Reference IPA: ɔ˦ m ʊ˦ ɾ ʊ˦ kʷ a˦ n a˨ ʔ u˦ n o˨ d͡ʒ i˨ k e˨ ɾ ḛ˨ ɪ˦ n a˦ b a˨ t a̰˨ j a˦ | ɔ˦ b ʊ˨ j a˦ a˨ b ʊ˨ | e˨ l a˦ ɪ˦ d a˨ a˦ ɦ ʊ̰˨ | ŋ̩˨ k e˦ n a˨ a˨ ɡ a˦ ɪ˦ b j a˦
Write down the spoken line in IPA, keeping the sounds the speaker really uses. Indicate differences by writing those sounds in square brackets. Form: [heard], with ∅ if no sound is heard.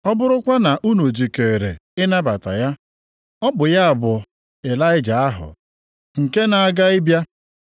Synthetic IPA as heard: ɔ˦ [b] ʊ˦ ɾ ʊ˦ kʷ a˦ n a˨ ʔ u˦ n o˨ d͡ʒ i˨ k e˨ ɾ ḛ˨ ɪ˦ n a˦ b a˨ t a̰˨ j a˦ | ɔ˦ b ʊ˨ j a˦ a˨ b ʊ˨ | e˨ l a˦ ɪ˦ [d͡ʒ] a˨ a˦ ɦ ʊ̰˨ | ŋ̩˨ k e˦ n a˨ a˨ ɡ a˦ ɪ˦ b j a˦